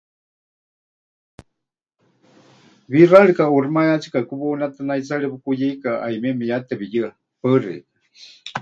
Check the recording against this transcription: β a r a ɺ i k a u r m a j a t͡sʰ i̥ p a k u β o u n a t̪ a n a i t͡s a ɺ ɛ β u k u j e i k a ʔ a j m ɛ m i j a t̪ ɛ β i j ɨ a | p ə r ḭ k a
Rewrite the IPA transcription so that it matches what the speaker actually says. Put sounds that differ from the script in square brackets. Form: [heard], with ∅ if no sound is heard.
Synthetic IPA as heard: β [i] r a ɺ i k a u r m a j a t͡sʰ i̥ [k] a k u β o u n a t̪ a n a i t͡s a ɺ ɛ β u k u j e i k a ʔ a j m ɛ m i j a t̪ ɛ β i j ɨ a | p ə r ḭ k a